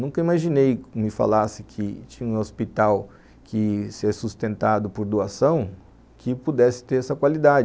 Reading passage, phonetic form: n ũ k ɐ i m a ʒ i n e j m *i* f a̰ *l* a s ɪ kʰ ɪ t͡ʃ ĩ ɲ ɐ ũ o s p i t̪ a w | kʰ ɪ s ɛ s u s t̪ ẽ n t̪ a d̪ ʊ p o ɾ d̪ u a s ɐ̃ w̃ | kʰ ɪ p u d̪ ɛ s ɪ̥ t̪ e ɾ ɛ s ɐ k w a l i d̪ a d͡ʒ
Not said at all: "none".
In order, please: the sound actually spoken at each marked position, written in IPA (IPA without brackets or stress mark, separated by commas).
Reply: ɪ, l